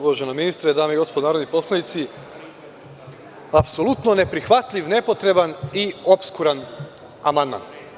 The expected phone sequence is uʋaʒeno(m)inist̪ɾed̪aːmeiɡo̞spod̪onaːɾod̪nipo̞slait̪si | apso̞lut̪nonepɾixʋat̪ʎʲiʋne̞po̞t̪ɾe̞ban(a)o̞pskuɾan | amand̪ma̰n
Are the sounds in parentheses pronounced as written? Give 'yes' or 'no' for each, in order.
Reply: yes, no

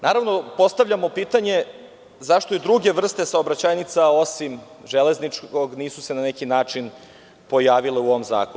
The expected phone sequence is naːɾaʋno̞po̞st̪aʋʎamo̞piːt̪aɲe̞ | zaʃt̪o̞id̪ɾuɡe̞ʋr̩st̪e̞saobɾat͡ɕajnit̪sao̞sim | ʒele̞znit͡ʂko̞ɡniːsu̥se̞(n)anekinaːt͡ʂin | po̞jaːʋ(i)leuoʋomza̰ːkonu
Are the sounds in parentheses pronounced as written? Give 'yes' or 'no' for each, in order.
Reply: yes, yes

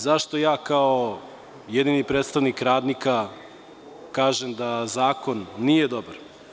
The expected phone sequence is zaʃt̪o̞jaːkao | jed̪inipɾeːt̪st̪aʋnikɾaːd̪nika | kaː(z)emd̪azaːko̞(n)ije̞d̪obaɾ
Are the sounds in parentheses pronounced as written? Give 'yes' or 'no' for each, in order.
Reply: no, no

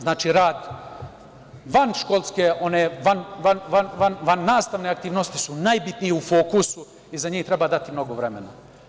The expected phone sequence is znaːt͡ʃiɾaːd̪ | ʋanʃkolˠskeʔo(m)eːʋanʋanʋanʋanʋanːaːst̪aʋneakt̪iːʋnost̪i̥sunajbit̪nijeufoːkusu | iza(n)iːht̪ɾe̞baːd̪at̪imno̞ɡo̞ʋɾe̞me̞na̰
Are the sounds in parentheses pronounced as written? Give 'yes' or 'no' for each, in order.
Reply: no, no

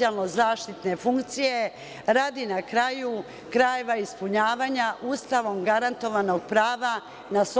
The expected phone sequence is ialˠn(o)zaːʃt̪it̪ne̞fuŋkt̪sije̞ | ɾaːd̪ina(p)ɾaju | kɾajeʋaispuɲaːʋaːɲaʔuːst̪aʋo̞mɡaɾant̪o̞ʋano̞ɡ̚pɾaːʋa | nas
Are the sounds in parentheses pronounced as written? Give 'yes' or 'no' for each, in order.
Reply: yes, no

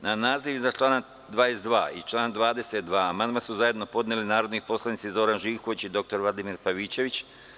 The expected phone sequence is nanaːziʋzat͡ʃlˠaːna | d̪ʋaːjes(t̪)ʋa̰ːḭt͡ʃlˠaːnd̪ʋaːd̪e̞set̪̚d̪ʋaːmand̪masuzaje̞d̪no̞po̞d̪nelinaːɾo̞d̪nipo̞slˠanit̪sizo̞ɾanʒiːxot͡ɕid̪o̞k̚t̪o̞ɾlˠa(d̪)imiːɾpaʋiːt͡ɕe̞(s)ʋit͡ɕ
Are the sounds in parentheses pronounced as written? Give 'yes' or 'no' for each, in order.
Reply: no, yes, no

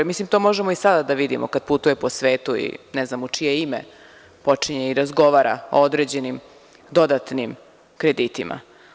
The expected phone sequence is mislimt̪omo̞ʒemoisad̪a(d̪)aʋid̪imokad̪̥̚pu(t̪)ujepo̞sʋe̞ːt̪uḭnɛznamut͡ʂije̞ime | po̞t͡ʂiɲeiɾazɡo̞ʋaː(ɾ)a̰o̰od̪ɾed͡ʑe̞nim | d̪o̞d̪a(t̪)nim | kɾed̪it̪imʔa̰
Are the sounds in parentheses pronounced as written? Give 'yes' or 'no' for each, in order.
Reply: yes, yes, yes, yes

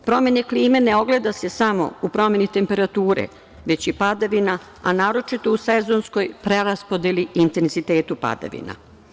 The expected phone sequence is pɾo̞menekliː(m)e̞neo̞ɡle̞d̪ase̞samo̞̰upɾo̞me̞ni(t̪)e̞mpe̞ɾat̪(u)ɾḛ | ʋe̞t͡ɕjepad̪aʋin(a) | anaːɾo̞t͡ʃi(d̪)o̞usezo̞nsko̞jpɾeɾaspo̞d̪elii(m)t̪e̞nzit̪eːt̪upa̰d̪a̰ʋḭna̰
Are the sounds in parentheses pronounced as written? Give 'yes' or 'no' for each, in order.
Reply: yes, yes, no, yes, no, no

